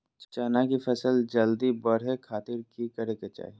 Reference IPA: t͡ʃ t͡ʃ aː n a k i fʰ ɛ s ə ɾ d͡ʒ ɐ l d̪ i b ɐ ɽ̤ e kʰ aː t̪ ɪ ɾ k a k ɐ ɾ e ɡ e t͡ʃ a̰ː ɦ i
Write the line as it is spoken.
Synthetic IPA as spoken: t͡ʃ t͡ʃ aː n a k i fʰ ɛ s ə l d͡ʒ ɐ l d̪ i b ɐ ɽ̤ e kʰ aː t̪ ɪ ɾ k i k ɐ ɾ e k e t͡ʃ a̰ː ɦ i